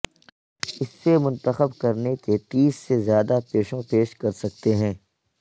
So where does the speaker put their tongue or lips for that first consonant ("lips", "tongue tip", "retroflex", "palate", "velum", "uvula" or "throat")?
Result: tongue tip